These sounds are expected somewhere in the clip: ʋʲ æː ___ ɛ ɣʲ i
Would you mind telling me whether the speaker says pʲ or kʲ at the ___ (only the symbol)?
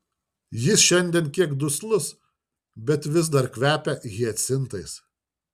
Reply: pʲ